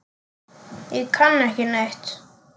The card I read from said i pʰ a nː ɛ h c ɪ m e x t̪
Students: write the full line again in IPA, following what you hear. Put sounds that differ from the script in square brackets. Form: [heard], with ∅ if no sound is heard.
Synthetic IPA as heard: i [kʰ] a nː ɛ h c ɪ [n] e [h] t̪